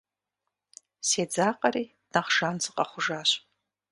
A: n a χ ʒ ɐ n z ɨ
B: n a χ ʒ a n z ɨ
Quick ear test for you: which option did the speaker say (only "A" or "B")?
B